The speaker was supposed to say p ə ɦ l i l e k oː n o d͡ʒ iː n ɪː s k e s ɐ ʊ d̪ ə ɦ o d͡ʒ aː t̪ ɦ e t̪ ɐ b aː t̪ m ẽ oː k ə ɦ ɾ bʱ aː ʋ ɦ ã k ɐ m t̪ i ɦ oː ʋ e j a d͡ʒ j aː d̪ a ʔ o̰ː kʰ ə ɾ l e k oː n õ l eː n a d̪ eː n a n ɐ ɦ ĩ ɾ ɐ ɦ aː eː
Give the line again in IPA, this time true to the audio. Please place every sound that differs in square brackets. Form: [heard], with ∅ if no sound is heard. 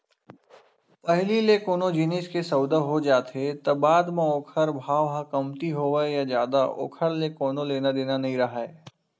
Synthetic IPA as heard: p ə ɦ l i l e k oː n o d͡ʒ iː n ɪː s k e s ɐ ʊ d̪ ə ɦ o d͡ʒ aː t̪ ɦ e t̪ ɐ b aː [d̪] m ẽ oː [kʰ] ə [∅] ɾ bʱ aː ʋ ɦ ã k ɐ m t̪ i ɦ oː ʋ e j a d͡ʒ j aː d̪ a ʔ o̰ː kʰ ə ɾ l e k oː n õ l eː n a d̪ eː n a n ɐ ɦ ĩ ɾ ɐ ɦ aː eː